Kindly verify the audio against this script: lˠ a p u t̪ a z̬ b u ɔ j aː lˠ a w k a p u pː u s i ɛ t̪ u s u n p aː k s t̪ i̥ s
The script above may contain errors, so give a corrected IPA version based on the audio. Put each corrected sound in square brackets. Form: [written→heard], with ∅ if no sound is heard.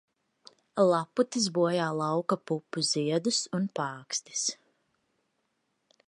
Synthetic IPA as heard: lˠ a p u t̪ [a→i] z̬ b u ɔ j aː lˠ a w k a p u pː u [s→z] i ɛ [t̪→d̪] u s u n p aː k s t̪ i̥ s